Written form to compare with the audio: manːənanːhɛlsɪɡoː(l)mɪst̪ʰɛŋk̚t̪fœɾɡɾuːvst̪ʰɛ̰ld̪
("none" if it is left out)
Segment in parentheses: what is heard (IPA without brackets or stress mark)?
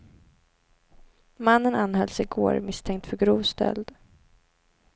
ɾ